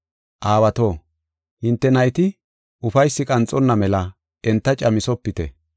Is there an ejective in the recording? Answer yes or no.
yes